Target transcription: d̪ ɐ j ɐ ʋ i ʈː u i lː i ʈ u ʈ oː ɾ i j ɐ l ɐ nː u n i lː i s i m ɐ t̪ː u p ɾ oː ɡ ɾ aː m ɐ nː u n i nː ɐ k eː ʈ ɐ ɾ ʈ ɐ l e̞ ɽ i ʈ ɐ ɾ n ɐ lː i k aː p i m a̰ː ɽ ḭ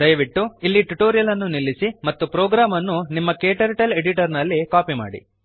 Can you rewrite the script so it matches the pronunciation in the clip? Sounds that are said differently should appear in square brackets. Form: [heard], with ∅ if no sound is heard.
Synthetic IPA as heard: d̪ ɐ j ɐ ʋ i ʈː u i lː i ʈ u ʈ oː ɾ i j ɐ l ɐ nː u n i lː i s i m ɐ t̪ː u p ɾ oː ɡ ɾ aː m ɐ nː u n i [mː] ɐ k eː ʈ ɐ ɾ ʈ ɐ l e̞ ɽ i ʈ ɐ ɾ n ɐ lː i k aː p i m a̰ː ɽ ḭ